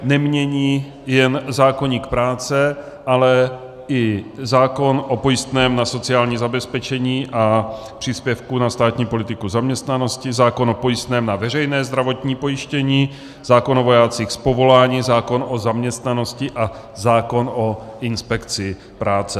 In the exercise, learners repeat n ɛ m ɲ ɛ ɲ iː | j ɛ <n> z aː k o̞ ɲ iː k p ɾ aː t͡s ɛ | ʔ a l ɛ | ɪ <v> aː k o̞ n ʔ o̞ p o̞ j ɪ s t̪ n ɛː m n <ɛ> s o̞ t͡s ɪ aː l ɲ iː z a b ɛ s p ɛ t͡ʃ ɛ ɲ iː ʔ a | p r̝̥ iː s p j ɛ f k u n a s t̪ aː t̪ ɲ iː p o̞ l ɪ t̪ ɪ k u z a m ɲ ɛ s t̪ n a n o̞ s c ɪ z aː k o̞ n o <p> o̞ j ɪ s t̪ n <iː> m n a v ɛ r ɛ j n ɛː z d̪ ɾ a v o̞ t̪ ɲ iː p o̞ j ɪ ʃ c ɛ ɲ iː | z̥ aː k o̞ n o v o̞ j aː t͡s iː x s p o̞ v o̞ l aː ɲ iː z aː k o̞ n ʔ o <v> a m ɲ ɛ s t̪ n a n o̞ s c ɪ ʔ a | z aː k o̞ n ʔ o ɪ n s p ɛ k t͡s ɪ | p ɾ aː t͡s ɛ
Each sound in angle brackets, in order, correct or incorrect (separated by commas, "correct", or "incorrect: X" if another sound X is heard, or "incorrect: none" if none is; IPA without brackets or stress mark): correct, incorrect: z, incorrect: a, correct, incorrect: ɛː, incorrect: z